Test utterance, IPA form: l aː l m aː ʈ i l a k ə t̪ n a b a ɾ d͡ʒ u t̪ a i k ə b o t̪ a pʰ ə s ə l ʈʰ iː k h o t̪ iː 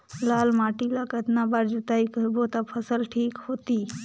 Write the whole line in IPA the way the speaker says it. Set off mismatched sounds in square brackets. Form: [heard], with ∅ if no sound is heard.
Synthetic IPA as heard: l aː l m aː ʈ i l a k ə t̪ n a b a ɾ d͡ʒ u t̪ a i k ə b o t̪ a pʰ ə s ə l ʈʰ iː k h o t̪ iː

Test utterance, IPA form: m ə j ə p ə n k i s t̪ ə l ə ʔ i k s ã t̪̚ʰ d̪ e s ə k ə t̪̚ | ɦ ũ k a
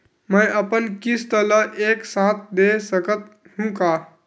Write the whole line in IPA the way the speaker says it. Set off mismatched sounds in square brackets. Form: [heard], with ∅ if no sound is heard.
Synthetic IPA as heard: m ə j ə p ə n k i s t̪ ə l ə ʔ [e] k s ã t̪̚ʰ d̪ e s ə k ə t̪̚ | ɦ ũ k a

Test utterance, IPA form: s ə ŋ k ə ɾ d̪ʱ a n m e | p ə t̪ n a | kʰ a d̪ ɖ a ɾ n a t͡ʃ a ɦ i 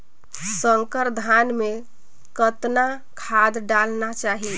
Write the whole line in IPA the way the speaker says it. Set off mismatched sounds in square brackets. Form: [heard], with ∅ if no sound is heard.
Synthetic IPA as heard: s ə ŋ k ə ɾ d̪ʱ a n m e | [k] ə t̪ n a | kʰ a d̪ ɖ a [l] n a t͡ʃ a ɦ i

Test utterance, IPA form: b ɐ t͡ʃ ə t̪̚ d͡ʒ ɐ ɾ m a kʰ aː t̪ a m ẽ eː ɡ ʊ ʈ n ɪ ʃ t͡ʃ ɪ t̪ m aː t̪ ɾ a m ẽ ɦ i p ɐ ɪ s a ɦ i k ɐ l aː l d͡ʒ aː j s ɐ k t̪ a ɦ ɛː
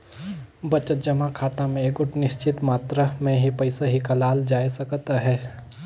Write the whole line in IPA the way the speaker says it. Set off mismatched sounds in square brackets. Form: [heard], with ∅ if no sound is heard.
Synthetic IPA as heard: b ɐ t͡ʃ ə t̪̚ d͡ʒ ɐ [∅] m a kʰ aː t̪ a m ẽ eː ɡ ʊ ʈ n ɪ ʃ t͡ʃ ɪ t̪ m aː t̪ ɾ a m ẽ ɦ i p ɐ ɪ s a ɦ i k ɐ l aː l d͡ʒ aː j s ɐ k t̪ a ɦ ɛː

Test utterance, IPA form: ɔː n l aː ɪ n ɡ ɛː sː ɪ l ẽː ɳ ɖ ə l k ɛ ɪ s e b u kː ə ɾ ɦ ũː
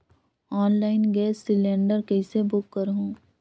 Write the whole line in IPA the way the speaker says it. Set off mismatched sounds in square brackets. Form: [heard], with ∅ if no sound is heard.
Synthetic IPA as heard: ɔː n l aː ɪ n ɡ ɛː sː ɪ l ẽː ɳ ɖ ə [ɾ] k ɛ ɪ s e b [ʊ] kː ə ɾ ɦ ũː

